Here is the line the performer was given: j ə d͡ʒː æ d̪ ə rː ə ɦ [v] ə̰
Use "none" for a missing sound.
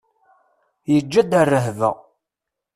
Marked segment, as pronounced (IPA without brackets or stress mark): v